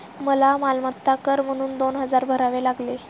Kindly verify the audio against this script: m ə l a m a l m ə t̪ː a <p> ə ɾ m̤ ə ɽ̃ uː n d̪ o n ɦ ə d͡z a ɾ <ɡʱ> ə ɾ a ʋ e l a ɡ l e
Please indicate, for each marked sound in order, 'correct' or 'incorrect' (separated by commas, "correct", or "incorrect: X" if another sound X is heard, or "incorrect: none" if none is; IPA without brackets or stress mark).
incorrect: k, incorrect: bʱ